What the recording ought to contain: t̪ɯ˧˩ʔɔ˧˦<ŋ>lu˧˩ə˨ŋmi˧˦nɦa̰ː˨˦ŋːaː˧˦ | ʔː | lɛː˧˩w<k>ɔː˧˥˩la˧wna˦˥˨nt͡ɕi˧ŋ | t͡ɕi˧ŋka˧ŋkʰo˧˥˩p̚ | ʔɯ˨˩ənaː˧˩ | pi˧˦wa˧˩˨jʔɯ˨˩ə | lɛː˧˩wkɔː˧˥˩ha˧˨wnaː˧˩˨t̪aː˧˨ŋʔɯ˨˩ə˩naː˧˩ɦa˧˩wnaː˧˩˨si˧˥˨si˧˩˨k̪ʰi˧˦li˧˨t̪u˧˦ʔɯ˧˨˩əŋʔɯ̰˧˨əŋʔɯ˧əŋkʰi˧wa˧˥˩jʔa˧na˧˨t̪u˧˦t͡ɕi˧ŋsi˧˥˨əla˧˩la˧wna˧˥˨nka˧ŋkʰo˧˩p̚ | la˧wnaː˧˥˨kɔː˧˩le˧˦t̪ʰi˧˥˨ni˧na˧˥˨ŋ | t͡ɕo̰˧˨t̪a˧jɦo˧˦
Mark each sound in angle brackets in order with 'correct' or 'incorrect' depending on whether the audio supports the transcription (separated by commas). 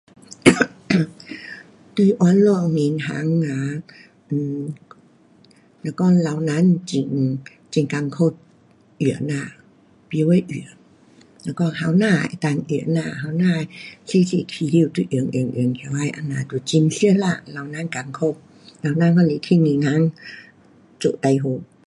incorrect, correct